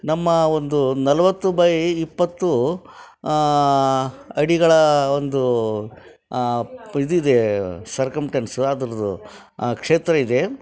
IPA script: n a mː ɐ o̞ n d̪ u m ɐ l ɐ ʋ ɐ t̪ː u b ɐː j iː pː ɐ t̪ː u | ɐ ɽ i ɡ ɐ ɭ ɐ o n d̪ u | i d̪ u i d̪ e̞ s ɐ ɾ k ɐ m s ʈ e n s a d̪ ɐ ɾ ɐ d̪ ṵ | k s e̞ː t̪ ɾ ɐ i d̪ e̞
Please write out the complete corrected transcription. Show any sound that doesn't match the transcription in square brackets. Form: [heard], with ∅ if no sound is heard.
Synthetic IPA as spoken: n [ɐ] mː ɐ o̞ n d̪ u [n] ɐ l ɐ ʋ ɐ t̪ː u b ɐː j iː pː ɐ t̪ː u | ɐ ɽ i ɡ ɐ ɭ ɐ o n d̪ u | i d̪ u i d̪ e̞ s ɐ ɾ k ɐ m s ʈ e n s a d̪ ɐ ɾ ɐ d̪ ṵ | k [ʂ] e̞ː t̪ ɾ ɐ i d̪ e̞